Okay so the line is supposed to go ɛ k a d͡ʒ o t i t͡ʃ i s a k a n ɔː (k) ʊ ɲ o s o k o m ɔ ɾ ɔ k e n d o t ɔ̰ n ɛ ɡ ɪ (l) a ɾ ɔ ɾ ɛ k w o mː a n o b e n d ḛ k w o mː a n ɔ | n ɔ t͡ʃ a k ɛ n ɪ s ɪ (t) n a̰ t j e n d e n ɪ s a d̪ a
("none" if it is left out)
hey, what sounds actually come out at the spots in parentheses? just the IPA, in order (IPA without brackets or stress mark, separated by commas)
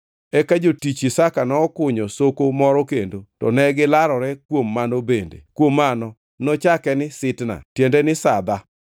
k, l, t